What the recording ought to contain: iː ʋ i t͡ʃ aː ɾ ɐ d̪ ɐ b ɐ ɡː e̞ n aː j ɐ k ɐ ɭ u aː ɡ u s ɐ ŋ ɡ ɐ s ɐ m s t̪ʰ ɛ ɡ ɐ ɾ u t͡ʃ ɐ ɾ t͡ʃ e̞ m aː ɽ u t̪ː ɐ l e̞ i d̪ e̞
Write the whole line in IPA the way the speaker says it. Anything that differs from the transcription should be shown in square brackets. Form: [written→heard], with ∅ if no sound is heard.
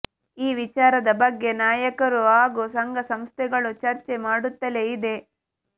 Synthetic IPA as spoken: iː ʋ i t͡ʃ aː ɾ ɐ d̪ ɐ b ɐ ɡː e̞ n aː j ɐ k ɐ [ɭ→ɾ] u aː ɡ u s ɐ ŋ ɡ ɐ s ɐ m s t̪ʰ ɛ ɡ ɐ [ɾ→ɭ] u t͡ʃ ɐ ɾ t͡ʃ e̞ m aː ɽ u t̪ː ɐ l e̞ i d̪ e̞

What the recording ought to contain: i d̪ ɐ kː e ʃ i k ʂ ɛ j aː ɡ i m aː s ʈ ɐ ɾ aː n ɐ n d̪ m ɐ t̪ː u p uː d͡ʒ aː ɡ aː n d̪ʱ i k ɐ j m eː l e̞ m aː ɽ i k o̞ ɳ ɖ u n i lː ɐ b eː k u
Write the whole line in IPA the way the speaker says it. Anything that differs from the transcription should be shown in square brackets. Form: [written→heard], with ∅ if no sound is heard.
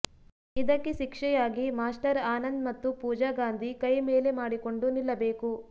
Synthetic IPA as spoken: i d̪ ɐ kː e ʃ i k ʂ ɛ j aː ɡ i m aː s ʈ ɐ ɾ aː n ɐ n d̪ m ɐ t̪ː u p uː d͡ʒ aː ɡ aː n d̪ʱ i k ɐ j m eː l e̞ m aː ɽ i k o̞ ɳ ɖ u n i lː ɐ b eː k u

